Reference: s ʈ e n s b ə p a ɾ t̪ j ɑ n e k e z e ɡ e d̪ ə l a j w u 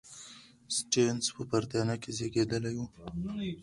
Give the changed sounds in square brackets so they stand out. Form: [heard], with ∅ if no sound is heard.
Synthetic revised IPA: s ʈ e n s [p] ə p a ɾ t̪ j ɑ n [a] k e z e ɡ e d̪ ə l a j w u